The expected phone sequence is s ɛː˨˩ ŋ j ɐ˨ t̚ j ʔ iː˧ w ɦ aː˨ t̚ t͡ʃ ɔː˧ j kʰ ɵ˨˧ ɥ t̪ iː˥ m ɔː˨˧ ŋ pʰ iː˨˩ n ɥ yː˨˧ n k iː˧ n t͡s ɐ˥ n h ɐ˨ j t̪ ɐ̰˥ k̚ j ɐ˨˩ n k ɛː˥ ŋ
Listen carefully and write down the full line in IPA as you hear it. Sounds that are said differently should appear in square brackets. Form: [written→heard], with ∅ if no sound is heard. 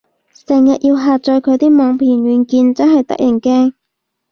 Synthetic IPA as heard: s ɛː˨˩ ŋ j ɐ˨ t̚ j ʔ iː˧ w ɦ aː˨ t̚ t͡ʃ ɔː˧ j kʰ ɵ˨˧ ɥ t̪ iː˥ m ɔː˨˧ ŋ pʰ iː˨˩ n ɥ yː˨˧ n k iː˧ n t͡s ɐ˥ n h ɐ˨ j t̪ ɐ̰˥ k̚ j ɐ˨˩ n k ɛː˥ ŋ